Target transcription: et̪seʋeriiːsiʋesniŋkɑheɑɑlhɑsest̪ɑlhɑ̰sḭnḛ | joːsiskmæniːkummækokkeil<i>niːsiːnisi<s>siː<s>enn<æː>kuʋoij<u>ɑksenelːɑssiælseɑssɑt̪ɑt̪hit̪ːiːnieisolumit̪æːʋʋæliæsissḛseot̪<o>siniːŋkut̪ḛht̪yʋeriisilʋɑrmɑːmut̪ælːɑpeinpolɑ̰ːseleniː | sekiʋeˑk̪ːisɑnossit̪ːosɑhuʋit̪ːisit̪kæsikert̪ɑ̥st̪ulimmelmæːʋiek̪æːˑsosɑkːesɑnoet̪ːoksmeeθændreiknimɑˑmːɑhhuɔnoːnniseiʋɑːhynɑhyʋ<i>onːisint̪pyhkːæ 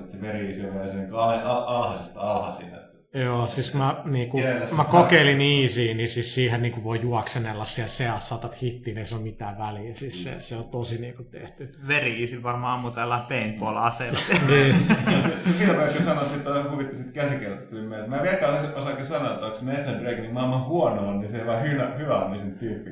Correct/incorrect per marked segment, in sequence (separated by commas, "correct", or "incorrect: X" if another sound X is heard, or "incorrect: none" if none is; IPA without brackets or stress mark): correct, correct, incorrect: h, incorrect: iː, correct, correct, incorrect: æ